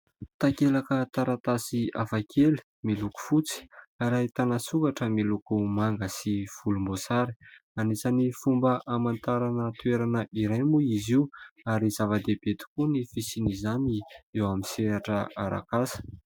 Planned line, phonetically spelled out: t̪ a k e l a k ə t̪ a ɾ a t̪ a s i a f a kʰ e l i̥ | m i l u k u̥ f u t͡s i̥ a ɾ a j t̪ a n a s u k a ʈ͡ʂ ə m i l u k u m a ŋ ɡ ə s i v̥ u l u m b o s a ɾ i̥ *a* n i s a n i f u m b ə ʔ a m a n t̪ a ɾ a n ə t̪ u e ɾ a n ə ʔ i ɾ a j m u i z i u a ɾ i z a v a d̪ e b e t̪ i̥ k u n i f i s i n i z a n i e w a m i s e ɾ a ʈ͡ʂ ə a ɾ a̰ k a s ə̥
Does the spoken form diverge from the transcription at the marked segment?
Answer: no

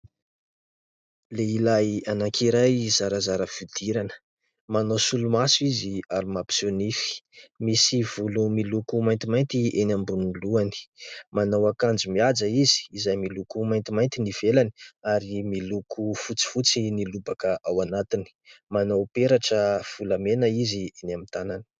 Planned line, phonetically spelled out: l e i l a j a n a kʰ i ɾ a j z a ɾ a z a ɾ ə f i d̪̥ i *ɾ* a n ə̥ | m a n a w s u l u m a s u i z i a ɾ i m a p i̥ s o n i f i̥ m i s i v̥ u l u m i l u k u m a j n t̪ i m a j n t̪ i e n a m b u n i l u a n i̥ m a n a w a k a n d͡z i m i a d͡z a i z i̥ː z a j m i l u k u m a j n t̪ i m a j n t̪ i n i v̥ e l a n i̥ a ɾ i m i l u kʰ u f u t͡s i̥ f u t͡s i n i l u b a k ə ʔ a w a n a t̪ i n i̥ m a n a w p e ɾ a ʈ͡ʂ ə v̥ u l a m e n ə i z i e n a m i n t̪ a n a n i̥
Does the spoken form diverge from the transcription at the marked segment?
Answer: no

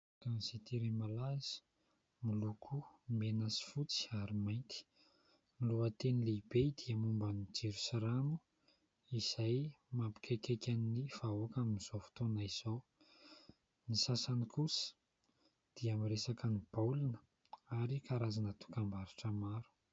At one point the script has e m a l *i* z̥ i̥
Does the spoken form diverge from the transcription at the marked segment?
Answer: yes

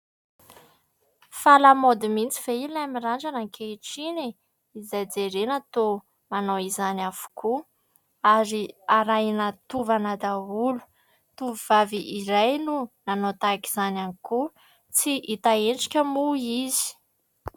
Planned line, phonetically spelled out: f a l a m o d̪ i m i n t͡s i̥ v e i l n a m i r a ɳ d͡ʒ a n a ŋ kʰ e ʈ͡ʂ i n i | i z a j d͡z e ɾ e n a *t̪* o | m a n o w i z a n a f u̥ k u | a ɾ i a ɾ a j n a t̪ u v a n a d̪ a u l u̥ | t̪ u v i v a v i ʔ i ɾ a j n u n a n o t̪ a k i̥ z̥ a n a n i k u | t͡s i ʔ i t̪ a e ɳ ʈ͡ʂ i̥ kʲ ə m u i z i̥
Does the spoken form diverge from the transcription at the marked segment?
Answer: no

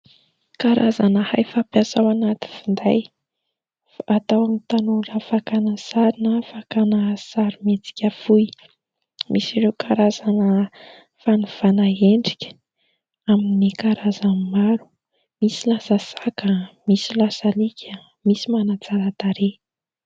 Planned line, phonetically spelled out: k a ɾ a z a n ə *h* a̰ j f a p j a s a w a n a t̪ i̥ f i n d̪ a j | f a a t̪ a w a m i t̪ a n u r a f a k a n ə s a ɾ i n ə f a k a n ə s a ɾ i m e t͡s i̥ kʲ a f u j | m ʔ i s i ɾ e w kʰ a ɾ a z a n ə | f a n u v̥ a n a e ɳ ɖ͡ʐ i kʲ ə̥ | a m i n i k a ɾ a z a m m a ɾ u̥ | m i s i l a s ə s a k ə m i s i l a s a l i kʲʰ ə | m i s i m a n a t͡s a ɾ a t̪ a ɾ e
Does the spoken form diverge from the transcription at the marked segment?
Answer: no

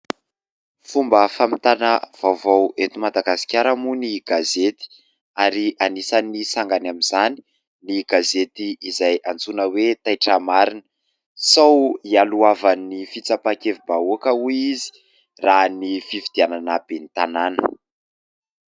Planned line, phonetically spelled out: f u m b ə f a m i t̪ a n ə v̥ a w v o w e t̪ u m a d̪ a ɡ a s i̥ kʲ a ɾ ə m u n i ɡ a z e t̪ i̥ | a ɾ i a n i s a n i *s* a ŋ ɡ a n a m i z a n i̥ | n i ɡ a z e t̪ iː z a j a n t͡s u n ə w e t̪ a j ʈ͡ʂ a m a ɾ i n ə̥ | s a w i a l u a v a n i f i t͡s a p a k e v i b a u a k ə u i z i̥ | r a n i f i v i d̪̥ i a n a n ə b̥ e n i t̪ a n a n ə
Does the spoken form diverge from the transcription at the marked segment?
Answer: no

